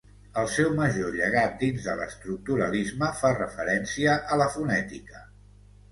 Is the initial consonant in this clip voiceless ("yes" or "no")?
no